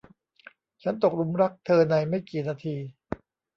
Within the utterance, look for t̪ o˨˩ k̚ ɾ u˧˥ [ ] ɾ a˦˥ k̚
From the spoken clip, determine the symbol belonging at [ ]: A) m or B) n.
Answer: A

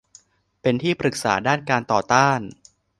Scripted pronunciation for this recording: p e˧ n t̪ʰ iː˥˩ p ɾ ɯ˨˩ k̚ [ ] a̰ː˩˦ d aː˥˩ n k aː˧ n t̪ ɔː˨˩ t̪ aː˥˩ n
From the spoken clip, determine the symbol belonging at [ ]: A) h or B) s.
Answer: B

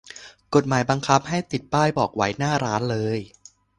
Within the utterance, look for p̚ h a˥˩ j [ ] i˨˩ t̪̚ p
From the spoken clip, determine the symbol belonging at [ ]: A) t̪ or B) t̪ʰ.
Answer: A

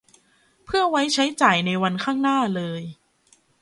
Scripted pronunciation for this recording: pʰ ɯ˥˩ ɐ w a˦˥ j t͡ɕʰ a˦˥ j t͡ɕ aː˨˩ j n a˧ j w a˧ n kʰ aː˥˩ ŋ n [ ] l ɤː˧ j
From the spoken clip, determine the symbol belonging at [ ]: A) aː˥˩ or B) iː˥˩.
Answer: A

